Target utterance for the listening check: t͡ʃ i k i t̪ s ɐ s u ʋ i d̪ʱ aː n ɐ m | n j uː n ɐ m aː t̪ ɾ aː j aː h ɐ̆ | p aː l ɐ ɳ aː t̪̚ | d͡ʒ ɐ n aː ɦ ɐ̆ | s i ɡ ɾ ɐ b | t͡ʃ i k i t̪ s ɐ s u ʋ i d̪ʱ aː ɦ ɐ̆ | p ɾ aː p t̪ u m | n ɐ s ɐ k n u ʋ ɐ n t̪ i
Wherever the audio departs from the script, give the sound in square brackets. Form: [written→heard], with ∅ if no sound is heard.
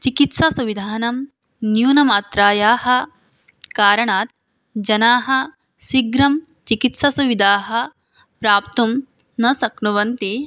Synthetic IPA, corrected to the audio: t͡ʃ i k i t̪ s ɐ s u ʋ i d̪ʱ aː n ɐ m | n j uː n ɐ m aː t̪ ɾ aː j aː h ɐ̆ | [p→k] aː [l→ɾ] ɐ ɳ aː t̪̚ | d͡ʒ ɐ n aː ɦ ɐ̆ | s i ɡ ɾ ɐ [b→m] | t͡ʃ i k i t̪ s ɐ s u ʋ i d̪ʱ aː ɦ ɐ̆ | p ɾ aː p t̪ u m | n ɐ s ɐ k n u ʋ ɐ n t̪ i